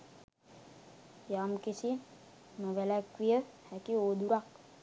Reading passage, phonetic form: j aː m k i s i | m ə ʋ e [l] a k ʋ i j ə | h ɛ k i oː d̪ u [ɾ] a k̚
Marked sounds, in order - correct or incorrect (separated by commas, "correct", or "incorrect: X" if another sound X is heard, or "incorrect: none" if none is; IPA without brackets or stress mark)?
correct, correct